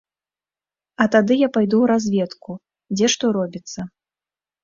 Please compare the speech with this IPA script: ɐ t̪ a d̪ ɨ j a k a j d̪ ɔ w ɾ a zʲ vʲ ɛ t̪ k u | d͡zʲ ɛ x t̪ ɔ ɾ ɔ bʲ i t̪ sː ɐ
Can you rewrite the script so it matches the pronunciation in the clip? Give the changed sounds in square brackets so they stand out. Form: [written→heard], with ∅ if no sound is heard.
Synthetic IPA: ɐ t̪ a d̪ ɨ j a [k→p] a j d̪ [ɔ→u] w ɾ a zʲ vʲ ɛ t̪ k u | d͡zʲ ɛ [x→ʂ] t̪ ɔ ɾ ɔ bʲ i t̪ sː ɐ